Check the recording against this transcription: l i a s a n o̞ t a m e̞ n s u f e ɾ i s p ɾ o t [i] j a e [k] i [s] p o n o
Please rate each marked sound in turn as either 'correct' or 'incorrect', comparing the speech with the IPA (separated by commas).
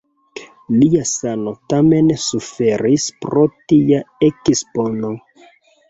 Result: correct, correct, correct